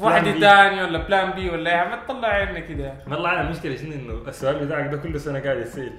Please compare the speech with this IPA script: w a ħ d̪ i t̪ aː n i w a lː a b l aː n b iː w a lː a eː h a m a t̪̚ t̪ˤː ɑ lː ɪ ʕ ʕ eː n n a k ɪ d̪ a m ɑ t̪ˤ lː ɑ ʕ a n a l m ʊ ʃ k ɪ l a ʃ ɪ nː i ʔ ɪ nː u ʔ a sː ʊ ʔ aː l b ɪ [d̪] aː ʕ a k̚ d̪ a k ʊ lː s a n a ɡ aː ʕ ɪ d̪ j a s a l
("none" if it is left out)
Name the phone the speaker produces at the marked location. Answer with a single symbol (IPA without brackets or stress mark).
t̪